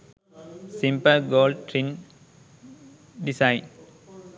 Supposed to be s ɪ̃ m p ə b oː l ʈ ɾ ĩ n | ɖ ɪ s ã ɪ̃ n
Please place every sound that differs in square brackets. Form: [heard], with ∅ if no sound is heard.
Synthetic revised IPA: s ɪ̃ m p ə [ɡ] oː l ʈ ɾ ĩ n | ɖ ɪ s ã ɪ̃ n